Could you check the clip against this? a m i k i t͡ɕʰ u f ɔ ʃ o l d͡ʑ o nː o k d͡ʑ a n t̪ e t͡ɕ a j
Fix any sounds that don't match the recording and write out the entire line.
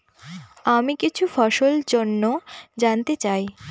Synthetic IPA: a m i k i t͡ɕʰ u f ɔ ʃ o l d͡ʑ o nː o d͡ʑ a n t̪ e t͡ɕ a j